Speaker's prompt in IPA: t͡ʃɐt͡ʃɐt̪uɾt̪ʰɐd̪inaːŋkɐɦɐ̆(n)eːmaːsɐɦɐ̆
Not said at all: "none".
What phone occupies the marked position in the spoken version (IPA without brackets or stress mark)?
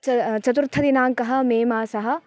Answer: m